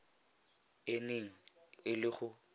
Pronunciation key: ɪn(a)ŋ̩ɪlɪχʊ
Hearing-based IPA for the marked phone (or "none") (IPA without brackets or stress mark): e